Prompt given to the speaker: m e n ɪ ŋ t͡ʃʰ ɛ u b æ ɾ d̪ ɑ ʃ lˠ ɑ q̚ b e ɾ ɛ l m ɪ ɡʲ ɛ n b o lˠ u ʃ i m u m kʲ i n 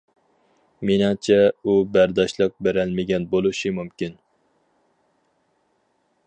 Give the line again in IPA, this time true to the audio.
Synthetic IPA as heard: m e n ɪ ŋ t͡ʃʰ ɛ u b æ ɾ d̪ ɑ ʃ lˠ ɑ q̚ b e ɾ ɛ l m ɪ ɡʲ ɛ n b o lˠ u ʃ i m u m kʲ i n